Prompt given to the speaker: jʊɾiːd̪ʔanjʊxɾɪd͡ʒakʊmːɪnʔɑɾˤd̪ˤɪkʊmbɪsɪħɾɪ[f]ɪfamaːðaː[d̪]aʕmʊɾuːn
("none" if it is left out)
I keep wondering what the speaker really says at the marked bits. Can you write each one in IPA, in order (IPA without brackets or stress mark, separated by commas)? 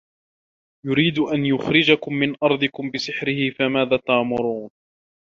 h, t̪